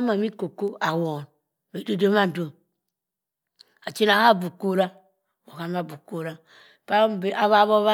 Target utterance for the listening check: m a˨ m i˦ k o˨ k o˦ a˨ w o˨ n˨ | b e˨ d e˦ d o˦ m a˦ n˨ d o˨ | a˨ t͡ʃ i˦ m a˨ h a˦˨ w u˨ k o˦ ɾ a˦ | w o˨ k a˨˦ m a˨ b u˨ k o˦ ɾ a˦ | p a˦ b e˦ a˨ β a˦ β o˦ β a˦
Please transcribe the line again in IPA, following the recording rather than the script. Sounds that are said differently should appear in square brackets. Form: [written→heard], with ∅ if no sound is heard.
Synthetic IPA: m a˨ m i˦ k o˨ k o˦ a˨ w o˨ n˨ | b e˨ d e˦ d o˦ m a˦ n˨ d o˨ | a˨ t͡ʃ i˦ [m→n] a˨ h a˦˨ [w→b] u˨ k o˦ ɾ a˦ | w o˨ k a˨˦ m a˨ b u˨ k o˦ ɾ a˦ | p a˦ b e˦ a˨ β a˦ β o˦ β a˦